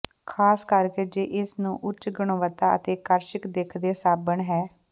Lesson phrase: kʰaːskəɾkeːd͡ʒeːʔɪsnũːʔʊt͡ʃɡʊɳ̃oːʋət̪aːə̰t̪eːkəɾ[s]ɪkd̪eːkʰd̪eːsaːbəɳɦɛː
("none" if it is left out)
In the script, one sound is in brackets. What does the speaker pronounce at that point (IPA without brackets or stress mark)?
ʃ